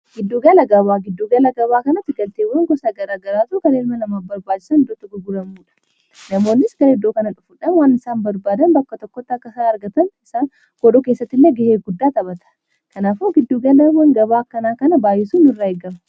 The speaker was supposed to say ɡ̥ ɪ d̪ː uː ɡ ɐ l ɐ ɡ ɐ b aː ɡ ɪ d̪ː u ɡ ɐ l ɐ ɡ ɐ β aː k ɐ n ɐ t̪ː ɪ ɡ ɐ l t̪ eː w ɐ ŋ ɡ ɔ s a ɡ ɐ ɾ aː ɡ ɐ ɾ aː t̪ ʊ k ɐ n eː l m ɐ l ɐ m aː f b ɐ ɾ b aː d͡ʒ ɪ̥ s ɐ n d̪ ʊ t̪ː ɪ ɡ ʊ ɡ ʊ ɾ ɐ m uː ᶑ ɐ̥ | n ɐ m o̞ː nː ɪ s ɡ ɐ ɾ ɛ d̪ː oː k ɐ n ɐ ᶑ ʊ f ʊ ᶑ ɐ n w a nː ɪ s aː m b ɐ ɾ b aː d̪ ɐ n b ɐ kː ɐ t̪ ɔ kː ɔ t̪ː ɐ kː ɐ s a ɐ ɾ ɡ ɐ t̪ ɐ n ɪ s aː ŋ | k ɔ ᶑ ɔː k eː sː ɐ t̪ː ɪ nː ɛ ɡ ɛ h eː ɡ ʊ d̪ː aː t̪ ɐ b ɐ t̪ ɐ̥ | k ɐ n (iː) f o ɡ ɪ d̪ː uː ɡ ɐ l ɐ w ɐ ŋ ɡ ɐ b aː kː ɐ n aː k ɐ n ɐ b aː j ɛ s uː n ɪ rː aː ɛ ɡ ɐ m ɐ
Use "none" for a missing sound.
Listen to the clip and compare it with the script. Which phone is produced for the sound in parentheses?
aː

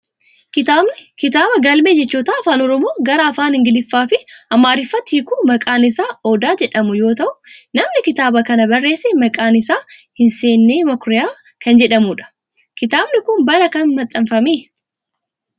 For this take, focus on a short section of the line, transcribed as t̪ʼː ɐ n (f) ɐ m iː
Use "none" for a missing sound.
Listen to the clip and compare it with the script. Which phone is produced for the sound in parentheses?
f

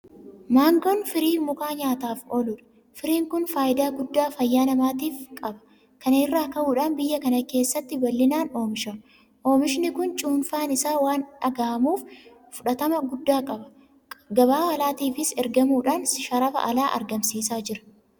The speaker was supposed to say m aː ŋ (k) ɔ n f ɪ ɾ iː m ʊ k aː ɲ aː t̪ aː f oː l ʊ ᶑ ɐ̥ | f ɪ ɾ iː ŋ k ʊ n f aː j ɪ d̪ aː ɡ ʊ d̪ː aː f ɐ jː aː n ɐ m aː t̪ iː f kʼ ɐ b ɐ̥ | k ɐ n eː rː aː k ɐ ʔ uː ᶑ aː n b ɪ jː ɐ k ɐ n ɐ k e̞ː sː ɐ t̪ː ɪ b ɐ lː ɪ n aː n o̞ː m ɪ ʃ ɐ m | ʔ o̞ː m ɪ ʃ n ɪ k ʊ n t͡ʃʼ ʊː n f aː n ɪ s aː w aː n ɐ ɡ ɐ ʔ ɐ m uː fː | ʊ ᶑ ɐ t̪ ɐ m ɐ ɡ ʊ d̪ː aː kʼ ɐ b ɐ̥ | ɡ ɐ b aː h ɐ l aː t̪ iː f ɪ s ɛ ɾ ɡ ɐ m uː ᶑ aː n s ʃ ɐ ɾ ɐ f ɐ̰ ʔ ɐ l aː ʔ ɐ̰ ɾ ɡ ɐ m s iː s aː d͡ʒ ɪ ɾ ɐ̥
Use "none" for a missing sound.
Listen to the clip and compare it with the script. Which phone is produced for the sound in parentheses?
ɡ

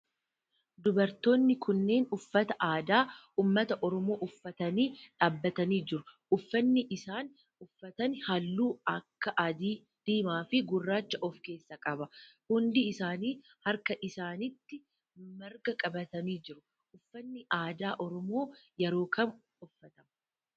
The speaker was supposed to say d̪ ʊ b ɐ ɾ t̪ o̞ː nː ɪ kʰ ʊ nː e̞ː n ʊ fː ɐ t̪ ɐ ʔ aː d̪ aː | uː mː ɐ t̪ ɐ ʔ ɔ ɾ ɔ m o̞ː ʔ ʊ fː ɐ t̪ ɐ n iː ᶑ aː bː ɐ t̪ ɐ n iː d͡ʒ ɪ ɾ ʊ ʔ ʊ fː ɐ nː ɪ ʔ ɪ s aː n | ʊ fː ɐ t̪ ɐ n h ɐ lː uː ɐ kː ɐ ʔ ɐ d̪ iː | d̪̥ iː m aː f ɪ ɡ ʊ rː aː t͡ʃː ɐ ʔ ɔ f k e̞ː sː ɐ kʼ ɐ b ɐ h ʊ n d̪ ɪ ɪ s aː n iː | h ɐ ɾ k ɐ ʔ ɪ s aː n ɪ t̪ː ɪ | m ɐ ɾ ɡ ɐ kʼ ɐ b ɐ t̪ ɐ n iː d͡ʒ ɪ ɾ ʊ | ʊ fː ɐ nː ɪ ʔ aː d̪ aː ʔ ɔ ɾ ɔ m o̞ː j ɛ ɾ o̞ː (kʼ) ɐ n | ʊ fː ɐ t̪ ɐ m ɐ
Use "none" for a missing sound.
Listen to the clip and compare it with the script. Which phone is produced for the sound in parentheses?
k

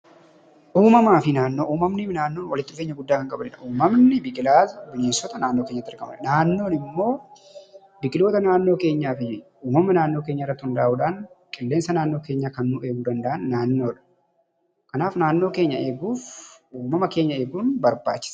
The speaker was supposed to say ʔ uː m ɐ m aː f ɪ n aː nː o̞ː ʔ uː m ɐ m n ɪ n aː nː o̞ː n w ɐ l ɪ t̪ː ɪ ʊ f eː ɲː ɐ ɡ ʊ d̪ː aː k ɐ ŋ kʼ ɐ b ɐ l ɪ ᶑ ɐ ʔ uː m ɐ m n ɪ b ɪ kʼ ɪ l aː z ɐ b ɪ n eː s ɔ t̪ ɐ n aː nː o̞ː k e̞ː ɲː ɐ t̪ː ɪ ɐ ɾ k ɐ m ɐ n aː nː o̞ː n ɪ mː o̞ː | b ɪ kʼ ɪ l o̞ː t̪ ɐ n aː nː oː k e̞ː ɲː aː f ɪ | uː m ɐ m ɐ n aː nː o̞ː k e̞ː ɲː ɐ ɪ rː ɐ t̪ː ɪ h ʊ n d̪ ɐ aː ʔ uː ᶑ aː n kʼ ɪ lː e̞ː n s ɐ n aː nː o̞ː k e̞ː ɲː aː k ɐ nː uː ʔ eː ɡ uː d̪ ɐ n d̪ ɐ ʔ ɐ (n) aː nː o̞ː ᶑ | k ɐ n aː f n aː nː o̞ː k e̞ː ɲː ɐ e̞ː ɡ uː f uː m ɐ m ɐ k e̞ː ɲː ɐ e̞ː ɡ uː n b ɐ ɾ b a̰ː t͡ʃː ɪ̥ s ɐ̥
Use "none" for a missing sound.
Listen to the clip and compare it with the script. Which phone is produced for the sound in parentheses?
nː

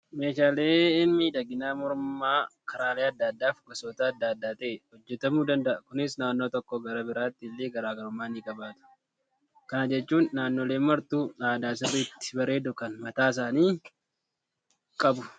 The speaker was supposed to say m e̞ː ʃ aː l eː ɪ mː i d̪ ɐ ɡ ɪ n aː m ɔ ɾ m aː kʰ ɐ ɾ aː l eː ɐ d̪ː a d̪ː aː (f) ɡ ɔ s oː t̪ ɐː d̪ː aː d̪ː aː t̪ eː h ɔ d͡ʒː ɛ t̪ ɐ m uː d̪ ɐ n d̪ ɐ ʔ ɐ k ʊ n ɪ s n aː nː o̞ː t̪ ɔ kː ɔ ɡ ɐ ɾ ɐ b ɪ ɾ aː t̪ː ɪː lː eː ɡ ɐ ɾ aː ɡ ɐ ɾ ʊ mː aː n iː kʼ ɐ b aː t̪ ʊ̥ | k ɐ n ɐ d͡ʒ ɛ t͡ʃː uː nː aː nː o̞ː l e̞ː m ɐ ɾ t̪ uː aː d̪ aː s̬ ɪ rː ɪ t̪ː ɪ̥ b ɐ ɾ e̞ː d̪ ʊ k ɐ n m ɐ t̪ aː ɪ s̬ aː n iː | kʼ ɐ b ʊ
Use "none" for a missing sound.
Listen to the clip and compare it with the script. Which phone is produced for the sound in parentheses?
f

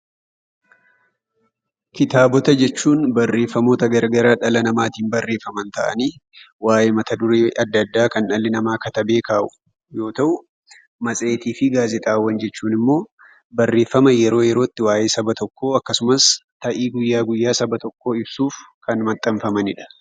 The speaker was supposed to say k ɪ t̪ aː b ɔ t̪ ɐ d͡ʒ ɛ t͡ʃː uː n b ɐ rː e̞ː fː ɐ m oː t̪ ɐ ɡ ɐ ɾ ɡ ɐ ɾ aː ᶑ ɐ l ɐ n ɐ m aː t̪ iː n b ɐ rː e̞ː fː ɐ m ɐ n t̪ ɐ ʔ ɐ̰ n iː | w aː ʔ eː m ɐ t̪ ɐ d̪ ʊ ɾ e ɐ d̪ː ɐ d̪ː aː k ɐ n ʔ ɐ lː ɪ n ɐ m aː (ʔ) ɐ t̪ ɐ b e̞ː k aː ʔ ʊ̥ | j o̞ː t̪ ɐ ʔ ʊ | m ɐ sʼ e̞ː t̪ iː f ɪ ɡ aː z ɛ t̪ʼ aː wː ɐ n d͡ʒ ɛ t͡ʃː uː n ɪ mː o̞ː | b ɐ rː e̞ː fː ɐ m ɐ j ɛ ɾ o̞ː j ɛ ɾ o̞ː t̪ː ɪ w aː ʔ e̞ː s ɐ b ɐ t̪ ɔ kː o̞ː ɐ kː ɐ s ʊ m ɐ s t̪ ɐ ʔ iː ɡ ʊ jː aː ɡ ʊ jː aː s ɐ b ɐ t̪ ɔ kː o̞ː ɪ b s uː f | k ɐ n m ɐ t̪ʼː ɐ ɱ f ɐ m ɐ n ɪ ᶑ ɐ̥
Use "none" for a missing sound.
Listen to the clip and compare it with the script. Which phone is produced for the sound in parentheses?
k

